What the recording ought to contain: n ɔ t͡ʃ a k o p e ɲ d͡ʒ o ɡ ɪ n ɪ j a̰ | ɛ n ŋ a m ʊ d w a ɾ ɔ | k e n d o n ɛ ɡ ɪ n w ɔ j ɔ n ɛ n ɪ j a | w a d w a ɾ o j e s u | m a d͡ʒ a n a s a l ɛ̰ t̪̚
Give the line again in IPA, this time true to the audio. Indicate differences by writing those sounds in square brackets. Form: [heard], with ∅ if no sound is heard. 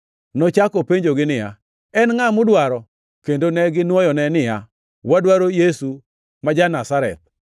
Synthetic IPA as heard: n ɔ t͡ʃ a k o p e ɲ d͡ʒ o ɡ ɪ n ɪ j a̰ | ɛ n ŋ a m ʊ d w a ɾ ɔ | k e n d o n ɛ ɡ ɪ n w ɔ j ɔ n ɛ n ɪ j a | w a d w a ɾ o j e s u | m a d͡ʒ a n a s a [ɾ] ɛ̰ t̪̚